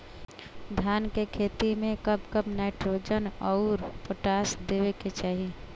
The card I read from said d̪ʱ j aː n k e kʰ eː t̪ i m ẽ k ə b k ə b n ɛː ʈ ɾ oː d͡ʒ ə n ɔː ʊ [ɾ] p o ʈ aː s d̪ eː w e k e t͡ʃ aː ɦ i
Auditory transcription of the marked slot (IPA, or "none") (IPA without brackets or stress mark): ɾ